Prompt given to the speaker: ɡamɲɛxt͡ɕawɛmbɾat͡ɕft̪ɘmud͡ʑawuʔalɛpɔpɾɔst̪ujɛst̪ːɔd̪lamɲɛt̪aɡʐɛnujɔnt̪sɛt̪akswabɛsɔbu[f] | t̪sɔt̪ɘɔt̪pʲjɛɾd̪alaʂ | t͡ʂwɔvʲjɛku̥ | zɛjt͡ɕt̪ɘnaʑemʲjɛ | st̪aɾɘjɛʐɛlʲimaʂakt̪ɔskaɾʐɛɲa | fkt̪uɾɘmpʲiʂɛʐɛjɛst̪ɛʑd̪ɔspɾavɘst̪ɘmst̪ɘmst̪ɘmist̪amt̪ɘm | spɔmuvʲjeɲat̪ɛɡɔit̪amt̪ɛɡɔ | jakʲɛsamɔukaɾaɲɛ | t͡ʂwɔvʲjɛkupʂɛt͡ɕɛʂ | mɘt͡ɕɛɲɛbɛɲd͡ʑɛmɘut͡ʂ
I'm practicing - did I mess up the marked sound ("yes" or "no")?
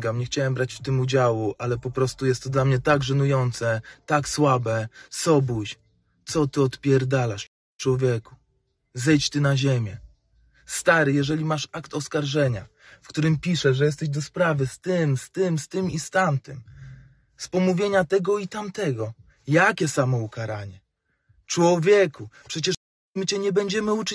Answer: yes